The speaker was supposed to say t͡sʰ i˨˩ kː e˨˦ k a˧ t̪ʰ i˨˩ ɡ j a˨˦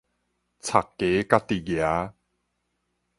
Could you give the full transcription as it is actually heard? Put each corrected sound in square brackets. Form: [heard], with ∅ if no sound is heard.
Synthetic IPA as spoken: t͡sʰ [a˨˩] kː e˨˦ k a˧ [t̪] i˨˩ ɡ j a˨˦